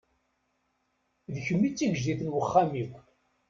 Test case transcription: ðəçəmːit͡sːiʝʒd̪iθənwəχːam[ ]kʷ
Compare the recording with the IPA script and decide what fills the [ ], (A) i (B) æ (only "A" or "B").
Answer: A